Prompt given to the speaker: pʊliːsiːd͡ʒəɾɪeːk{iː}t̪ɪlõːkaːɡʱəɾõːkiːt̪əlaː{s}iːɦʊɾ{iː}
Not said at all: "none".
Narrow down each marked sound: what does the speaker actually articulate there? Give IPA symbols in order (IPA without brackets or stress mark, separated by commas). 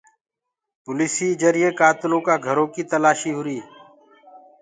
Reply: aː, ʃ, iː